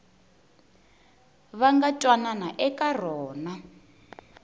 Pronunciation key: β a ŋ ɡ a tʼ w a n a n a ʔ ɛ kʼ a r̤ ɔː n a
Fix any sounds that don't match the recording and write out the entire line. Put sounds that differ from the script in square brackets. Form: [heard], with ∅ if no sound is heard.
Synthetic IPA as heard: β a ŋ ɡ a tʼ w a n a n a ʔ ɛ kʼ a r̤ ɔː n a